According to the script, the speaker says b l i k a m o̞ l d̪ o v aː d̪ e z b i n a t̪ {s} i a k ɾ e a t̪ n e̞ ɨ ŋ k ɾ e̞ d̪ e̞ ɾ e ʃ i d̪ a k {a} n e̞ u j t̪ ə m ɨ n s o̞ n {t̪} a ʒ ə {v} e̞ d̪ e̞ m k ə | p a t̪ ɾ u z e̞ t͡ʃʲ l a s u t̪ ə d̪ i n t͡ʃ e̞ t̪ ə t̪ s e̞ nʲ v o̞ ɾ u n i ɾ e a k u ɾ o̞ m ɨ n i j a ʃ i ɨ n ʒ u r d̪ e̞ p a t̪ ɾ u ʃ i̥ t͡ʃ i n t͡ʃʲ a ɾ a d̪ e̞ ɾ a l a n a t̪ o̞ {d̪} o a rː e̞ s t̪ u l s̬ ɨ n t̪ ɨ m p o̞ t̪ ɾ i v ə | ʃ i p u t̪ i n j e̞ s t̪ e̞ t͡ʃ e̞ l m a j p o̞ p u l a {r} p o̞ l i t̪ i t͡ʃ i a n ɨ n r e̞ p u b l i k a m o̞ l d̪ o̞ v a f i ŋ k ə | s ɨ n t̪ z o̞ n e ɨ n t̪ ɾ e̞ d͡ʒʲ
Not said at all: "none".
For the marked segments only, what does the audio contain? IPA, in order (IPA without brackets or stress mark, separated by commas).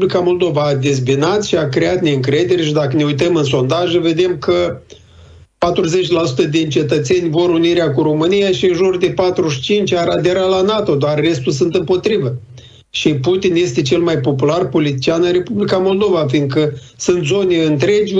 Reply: ʃ, ə, d̪, v, d̪, r